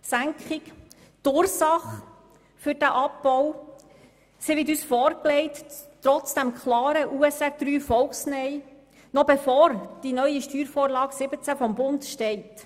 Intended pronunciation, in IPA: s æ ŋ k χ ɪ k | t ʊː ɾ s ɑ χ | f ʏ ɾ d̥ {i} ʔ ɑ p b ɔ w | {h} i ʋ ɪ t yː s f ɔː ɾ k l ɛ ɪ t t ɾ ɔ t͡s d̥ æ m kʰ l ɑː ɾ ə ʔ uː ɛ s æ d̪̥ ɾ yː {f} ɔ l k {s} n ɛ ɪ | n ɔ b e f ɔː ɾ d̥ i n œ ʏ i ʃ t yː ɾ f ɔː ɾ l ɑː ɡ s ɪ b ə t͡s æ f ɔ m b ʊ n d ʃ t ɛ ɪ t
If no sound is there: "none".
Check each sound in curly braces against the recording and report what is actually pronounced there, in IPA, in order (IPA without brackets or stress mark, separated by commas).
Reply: æ, s, f, s